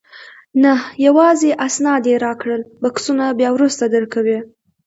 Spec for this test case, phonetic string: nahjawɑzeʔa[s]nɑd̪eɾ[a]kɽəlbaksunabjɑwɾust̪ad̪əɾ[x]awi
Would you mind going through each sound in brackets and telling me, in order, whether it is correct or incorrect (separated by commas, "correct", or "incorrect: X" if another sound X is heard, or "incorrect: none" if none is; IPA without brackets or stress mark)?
correct, incorrect: ɑ, incorrect: k